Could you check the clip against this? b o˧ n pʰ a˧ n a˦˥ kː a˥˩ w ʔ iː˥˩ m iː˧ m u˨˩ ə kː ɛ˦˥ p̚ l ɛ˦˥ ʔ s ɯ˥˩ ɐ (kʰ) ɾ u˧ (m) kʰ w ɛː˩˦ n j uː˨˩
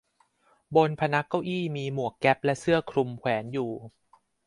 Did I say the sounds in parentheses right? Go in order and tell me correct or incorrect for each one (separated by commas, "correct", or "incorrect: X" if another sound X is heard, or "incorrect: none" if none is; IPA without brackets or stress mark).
correct, correct